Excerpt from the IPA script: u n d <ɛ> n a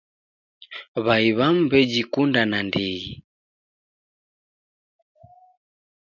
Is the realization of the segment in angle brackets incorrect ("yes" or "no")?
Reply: yes